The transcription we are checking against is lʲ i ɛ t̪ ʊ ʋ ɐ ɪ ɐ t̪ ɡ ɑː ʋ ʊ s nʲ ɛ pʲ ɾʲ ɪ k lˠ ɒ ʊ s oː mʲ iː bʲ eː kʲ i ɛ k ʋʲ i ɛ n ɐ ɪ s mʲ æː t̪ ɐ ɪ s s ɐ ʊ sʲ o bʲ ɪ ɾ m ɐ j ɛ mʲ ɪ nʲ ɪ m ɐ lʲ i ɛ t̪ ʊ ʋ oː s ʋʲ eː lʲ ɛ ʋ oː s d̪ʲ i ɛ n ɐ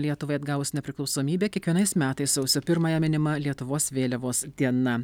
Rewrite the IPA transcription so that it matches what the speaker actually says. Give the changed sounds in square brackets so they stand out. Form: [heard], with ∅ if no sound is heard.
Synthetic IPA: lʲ i ɛ t̪ ʊ ʋ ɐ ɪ ɐ [d̪] ɡ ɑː ʋ ʊ s nʲ ɛ pʲ ɾʲ ɪ k lˠ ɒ ʊ s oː mʲ iː bʲ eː kʲ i ɛ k ʋʲ i ɛ n ɐ ɪ s mʲ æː t̪ ɐ ɪ s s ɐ ʊ sʲ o [pʲ] ɪ ɾ m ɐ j ɛ mʲ ɪ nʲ ɪ m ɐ lʲ i ɛ t̪ ʊ ʋ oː s ʋʲ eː lʲ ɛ ʋ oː s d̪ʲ i ɛ n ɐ